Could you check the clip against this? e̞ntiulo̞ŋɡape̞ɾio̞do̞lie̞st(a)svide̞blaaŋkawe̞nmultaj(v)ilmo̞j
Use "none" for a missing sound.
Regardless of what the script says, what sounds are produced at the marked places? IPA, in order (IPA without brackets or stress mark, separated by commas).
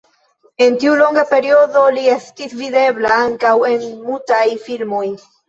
i, f